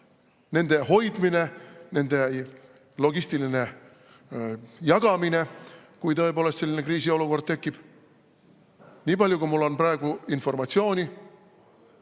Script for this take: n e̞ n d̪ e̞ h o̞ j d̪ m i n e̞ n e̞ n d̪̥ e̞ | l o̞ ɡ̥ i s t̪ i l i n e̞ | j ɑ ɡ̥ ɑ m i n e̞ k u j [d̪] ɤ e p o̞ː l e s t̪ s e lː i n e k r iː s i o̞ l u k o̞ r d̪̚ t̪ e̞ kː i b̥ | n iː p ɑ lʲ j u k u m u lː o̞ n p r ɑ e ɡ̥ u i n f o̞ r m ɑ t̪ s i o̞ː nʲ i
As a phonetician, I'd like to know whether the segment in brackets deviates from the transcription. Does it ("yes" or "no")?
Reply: yes